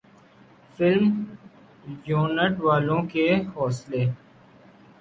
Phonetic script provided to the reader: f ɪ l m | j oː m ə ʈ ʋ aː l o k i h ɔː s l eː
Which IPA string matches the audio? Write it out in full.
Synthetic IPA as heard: f ɪ l m | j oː n ə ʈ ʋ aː l õ k e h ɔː s l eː

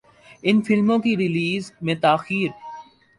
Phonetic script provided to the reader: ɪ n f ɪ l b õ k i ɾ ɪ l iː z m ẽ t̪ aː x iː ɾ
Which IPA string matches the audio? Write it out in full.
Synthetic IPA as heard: ɪ n f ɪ l m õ k i ɾ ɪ l iː z m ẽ t̪ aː x iː ɾ

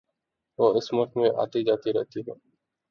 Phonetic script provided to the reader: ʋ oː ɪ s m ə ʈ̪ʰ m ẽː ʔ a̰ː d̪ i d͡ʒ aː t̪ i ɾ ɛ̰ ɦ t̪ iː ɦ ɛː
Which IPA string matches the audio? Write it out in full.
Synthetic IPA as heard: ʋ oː ɪ s m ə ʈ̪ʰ m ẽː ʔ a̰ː t̪ i d͡ʒ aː t̪ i ɾ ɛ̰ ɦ t̪ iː ɦ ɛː

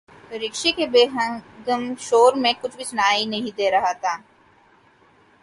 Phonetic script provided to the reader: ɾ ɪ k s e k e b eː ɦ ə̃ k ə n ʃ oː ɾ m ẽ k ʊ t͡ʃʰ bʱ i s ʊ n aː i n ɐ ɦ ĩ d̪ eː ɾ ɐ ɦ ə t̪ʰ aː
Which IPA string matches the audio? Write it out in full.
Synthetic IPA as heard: ɾ ɪ k ʃ e k e b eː ɦ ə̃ ɡ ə m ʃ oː ɾ m ẽ k ʊ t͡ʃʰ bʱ i s ʊ n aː i n ɐ ɦ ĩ d̪ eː ɾ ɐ ɦ a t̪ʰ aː

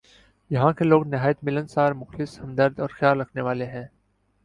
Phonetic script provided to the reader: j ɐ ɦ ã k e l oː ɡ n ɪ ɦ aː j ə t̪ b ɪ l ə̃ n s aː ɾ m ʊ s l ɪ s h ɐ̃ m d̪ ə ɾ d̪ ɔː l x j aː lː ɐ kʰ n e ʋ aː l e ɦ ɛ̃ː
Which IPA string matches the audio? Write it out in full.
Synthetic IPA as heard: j ɐ ɦ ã k e l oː ɡ n ɪ ɦ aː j ə t̪ m ɪ l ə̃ n s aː ɾ m ʊ x l ɪ s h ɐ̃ m d̪ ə ɾ d̪ ɔː ɾ x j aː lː ɐ kʰ n e ʋ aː l e ɦ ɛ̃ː

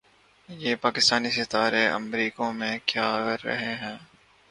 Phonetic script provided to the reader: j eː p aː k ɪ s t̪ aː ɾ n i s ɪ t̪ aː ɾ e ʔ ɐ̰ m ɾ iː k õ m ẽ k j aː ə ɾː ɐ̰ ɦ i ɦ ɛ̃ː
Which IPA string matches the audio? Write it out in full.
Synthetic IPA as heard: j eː p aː k ɪ s t̪ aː n i s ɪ t̪ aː ɾ e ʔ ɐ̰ m ɾ iː k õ m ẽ k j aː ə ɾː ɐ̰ ɦ e ɦ ɛ̃ː

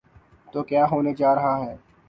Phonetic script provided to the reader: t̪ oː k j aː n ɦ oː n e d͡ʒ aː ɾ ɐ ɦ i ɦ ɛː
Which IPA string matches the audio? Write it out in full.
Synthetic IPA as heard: t̪ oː k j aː ɦ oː n e d͡ʒ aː ɾ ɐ ɦ a ɦ ɛː

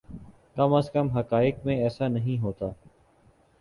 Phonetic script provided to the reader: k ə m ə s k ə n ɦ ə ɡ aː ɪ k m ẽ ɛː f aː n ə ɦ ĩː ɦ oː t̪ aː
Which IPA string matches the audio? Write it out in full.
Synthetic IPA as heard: k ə m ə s k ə m ɦ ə k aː ɪ k m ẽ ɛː s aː n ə ɦ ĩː ɦ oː t̪ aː

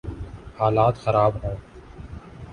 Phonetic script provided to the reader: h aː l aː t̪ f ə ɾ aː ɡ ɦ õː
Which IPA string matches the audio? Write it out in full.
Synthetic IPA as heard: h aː l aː t̪ x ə ɾ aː b ɦ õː

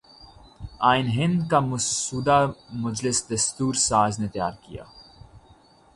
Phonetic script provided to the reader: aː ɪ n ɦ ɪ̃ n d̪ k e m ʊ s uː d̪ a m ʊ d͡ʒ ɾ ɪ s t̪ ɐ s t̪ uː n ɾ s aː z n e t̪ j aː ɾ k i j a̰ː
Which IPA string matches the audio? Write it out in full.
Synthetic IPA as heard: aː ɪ n ɦ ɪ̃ n d̪ k a m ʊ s uː d̪ a m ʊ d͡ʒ l ɪ s d̪ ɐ s t̪ uː ɾ s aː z n e t̪ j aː ɾ k i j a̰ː

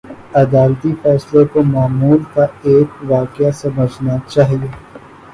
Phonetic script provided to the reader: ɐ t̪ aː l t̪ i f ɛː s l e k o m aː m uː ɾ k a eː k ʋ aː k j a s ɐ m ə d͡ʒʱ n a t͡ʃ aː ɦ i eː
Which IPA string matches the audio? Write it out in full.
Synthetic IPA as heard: ɐ d̪ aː l t̪ i f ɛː s l e k o m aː m uː l k a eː k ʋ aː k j a s ɐ m ə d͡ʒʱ n a t͡ʃ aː ɦ i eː

